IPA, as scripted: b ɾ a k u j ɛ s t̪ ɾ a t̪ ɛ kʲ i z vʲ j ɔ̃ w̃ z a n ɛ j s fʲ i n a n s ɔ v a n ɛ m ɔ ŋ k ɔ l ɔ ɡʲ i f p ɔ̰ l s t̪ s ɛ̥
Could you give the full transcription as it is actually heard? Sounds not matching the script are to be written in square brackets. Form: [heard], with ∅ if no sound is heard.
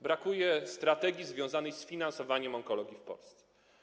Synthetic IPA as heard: b ɾ a k u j ɛ s t̪ ɾ a t̪ ɛ [ɡʲ] i z vʲ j ɔ̃ w̃ z a n ɛ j s fʲ i n a n s ɔ v a [ɲ] ɛ m ɔ ŋ k ɔ l ɔ ɡʲ i f p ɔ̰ l s t̪ s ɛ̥